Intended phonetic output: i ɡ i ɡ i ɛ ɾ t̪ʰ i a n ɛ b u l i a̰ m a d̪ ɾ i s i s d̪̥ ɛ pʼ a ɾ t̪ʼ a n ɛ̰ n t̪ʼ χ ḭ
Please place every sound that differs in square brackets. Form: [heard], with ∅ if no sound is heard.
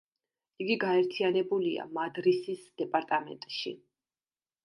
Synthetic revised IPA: i ɡ i ɡ [a] ɛ ɾ t̪ʰ i a n ɛ b u l i a̰ m a d̪ ɾ i s i s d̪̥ ɛ pʼ a ɾ t̪ʼ a [m] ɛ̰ n t̪ʼ [ʃ] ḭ